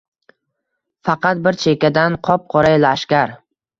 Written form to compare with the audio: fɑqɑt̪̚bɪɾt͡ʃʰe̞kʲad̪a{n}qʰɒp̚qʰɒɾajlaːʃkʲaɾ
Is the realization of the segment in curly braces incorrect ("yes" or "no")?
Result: no